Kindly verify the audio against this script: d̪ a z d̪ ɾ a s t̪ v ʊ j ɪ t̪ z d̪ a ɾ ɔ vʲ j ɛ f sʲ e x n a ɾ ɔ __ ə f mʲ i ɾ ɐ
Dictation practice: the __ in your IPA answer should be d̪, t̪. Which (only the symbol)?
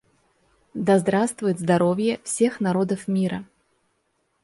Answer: d̪